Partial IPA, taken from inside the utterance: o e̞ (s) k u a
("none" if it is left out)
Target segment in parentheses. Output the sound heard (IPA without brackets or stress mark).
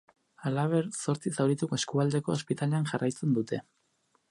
s